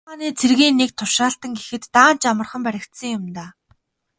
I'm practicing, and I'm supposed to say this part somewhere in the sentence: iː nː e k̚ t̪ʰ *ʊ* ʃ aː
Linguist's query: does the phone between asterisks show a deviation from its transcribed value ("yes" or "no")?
no